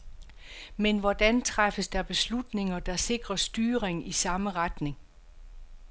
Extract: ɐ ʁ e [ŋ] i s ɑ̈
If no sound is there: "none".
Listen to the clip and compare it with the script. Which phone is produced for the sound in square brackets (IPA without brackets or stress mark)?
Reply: ŋ